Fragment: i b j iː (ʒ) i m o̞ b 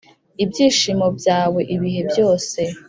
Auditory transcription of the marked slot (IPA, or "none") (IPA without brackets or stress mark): ʃ